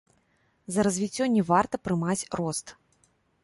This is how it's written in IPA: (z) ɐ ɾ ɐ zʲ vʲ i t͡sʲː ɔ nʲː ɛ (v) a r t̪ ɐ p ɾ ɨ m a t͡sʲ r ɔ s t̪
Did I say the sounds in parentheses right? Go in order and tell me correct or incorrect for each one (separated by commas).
correct, correct